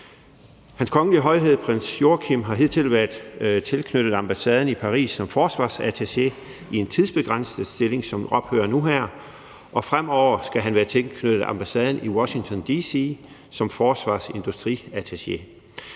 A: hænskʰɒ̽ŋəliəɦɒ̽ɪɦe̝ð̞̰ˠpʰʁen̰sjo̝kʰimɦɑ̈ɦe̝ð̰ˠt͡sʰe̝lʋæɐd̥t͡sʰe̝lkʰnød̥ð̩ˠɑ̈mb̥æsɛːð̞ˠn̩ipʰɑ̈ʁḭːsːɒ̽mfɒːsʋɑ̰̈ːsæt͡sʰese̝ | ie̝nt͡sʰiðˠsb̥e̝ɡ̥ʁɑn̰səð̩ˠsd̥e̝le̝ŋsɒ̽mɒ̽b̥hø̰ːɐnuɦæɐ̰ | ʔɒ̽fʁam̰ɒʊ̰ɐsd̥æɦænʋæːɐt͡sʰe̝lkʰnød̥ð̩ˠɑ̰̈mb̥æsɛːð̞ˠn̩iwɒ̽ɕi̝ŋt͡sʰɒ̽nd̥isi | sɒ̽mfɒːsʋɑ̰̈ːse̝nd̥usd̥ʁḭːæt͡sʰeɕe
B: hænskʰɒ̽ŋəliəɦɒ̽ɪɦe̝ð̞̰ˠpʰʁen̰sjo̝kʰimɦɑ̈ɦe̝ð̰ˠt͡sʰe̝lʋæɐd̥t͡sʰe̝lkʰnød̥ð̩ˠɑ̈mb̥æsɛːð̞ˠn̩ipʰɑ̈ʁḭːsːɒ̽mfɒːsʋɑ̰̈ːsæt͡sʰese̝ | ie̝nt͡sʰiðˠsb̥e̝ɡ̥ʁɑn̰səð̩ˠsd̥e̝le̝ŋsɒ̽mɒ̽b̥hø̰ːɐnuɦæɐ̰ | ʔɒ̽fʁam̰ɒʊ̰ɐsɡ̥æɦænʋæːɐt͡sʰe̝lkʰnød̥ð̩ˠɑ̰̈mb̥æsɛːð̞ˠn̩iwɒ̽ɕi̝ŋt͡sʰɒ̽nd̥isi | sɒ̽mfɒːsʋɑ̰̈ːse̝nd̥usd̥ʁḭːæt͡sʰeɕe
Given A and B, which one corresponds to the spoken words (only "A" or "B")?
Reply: B